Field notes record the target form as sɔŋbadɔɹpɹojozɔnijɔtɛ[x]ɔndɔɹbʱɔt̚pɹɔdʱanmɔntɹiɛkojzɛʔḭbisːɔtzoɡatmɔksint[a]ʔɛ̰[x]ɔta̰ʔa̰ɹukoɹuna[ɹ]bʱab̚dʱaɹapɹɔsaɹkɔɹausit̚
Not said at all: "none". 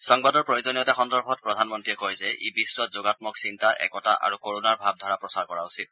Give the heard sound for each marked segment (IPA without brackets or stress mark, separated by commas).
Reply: x, a, k, ɹ